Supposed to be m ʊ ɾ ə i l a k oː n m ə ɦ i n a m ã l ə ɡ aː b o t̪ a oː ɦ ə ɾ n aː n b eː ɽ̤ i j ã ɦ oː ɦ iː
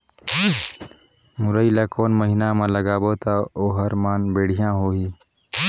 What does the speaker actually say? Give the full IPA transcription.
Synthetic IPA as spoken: m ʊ ɾ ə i l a k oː n m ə ɦ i n a m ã l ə ɡ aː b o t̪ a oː ɦ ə ɾ m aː n b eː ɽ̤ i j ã ɦ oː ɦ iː